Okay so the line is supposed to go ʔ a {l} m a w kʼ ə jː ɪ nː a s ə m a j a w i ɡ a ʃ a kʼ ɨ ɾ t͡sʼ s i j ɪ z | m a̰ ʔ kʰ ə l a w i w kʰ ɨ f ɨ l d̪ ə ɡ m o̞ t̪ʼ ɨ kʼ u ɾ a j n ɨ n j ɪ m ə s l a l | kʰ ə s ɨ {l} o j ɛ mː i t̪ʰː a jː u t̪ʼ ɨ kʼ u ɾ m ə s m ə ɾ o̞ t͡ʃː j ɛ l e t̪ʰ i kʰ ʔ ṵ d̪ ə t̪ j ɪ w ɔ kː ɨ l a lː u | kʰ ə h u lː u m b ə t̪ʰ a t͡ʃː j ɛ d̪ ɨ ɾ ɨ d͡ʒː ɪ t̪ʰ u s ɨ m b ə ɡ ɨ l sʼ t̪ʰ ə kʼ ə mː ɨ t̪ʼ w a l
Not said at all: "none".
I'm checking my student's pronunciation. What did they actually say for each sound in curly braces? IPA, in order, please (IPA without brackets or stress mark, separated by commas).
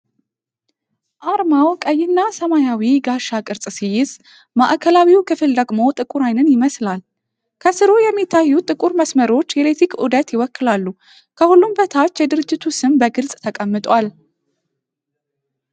ɾ, ɾ